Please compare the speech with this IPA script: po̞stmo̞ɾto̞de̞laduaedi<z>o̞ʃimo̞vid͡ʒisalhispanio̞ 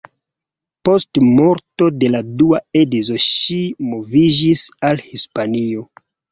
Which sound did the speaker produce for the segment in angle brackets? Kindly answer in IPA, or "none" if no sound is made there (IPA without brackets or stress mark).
z